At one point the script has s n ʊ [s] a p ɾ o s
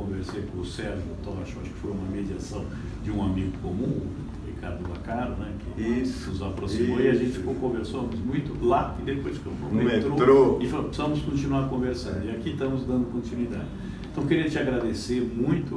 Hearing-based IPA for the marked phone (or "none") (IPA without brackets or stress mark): z